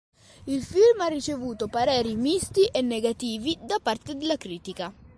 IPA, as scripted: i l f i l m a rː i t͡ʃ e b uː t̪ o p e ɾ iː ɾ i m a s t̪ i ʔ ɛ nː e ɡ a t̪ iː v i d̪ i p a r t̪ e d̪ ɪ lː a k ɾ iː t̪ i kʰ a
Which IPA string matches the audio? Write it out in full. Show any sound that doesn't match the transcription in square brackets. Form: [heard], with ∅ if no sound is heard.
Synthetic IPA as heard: i l f i l m a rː i t͡ʃ e [v] uː t̪ o p [a] ɾ [ɛː] ɾ i m [i] s t̪ i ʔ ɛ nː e ɡ a t̪ iː v i d̪ [a] p a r t̪ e d̪ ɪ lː a k ɾ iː t̪ i [k] a